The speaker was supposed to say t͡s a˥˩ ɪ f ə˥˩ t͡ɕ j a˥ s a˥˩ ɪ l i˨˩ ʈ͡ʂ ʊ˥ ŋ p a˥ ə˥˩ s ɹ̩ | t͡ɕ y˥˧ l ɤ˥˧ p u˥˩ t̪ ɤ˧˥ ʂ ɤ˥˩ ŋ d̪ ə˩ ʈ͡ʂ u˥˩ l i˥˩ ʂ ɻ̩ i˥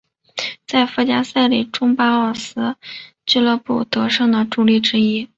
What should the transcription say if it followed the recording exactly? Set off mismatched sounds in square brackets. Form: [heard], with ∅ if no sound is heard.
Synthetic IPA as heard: t͡s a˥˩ ɪ f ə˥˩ t͡ɕ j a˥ s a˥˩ ɪ l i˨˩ ʈ͡ʂ ʊ˥ ŋ p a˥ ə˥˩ s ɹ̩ | t͡ɕ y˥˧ l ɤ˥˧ p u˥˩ t̪ ɤ˧˥ ʂ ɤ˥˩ ŋ d̪ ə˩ ʈ͡ʂ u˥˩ l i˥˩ [ʈ͡ʂ] ɻ̩ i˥